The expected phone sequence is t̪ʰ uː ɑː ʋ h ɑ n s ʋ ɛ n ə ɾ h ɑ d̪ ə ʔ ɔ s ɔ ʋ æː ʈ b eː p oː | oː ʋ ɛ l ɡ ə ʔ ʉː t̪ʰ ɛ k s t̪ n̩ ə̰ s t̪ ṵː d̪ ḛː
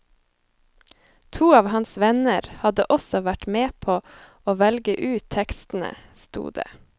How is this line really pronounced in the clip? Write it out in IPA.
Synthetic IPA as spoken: t̪ʰ uː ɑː ʋ h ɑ n s ʋ ɛ n ə ɾ h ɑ d̪ ə ʔ ɔ s ɔ ʋ æ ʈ m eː pʰ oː | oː ʋ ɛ l ɡ ə ʔ ʉː t̪ʰ ɛ k s t̪ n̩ ə̰ s t̪ ṵː d̪ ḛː